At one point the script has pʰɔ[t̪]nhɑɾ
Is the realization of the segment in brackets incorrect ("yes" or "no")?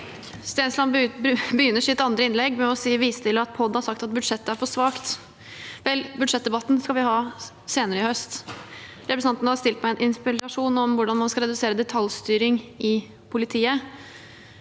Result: yes